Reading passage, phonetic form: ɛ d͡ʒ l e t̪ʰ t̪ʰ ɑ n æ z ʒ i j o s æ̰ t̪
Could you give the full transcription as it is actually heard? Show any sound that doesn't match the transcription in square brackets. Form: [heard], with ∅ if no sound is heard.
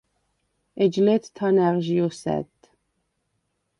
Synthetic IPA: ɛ d͡ʒ l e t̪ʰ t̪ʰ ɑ n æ [ʁ] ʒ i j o s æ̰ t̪